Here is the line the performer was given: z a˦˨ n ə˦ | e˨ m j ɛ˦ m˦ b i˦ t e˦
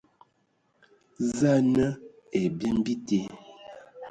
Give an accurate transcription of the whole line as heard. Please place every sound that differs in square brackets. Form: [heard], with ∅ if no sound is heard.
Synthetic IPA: z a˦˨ n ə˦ | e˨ [b] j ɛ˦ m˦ b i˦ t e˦

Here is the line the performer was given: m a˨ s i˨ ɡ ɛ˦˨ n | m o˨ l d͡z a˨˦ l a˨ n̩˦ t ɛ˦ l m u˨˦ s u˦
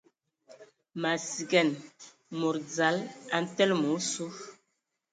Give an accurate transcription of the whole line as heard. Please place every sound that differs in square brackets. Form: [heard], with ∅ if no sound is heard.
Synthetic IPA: m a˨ s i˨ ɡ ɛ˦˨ n | m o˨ [ɾ] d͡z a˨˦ l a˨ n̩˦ t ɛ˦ l m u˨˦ s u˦

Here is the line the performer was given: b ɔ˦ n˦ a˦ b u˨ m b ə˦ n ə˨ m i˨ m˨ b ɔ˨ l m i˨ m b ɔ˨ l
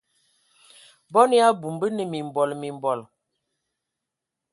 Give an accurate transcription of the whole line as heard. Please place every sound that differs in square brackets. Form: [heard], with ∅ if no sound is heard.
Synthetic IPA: b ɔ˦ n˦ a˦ b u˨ m b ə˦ n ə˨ m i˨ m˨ b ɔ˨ l m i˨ m b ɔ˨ l

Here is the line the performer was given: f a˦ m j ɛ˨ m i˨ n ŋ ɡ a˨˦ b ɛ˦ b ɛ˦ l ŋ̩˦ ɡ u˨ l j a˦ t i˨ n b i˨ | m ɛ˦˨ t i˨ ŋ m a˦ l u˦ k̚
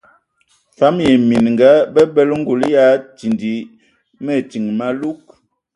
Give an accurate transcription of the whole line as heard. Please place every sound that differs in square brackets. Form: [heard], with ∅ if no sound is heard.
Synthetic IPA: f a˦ m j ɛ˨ m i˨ n ŋ ɡ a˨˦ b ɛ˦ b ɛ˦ l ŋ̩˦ ɡ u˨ l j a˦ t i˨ n [d] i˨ | m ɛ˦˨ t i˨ ŋ m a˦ l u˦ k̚

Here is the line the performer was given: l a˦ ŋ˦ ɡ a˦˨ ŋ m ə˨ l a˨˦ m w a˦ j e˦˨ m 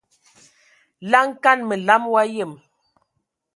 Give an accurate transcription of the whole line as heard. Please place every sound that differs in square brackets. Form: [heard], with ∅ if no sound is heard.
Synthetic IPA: l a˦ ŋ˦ [k] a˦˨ [n] m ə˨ l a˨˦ m w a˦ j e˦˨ m

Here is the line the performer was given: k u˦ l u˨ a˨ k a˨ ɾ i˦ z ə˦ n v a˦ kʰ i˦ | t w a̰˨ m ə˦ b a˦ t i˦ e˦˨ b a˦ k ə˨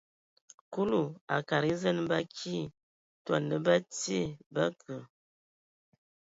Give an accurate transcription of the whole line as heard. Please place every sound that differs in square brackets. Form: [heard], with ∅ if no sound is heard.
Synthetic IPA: k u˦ l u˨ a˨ k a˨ ɾ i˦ z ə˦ n [b] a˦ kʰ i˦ | t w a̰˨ [n] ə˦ b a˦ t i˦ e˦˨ b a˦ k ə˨

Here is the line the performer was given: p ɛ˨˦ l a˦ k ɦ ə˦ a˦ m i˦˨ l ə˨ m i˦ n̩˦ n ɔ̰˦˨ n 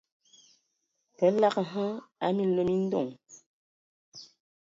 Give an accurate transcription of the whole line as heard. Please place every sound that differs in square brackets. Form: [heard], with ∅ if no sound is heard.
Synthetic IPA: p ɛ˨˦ l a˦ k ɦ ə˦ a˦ m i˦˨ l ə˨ m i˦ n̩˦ [d] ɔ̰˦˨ [ŋ]

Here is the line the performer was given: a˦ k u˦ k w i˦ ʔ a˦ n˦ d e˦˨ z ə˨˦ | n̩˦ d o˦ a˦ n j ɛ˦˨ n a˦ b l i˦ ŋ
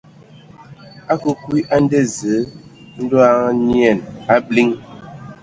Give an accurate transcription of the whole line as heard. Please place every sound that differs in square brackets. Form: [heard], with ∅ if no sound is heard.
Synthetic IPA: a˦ k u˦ k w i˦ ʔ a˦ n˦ d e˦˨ z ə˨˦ | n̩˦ d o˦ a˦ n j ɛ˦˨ n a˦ b l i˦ ŋ

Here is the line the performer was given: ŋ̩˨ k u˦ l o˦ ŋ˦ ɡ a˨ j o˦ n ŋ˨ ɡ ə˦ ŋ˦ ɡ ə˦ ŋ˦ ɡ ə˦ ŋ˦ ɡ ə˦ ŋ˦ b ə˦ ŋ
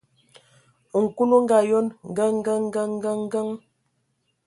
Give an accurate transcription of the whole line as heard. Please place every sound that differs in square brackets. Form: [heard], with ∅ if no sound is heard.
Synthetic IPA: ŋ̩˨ k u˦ l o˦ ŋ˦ ɡ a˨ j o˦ n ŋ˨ ɡ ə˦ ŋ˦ ɡ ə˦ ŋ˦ ɡ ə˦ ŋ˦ ɡ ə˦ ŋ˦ [ɡ] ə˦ ŋ

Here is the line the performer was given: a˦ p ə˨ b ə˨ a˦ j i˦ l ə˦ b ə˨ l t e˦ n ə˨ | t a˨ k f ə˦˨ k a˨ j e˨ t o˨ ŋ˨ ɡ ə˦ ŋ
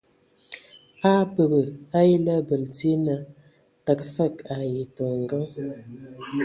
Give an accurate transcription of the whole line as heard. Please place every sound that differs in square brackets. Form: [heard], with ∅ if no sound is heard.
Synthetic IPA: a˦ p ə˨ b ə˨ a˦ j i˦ l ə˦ b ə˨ l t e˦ n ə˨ | t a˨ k f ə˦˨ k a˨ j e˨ t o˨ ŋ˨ ɡ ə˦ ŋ

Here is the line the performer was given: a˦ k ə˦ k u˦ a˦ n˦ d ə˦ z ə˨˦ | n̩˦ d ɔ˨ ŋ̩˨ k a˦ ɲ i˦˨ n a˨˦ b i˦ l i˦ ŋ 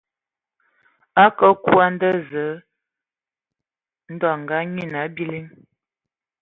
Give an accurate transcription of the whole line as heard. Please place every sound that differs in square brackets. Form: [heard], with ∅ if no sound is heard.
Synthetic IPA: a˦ k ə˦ k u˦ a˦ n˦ d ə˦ z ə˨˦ | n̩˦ d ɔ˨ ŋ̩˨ [ɡ] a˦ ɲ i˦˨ n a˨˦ b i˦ l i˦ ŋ

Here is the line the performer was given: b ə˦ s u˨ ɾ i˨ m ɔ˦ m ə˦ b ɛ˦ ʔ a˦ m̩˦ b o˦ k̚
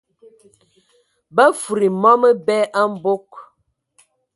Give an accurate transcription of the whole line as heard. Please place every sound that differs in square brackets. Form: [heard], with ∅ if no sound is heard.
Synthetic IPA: b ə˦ [f] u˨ ɾ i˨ m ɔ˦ m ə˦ b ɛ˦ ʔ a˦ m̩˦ b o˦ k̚

